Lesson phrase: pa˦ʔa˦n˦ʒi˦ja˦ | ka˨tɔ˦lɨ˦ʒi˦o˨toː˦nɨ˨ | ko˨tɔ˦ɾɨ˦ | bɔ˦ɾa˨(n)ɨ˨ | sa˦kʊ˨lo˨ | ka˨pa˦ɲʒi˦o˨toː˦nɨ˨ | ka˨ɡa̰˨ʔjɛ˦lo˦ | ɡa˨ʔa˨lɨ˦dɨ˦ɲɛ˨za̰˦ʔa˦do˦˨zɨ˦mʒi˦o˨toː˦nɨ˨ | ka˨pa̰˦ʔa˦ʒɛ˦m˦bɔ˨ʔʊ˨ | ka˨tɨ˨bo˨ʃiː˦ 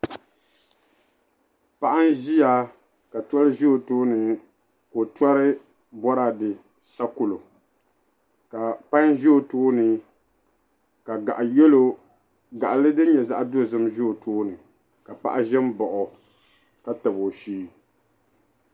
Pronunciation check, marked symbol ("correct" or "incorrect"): incorrect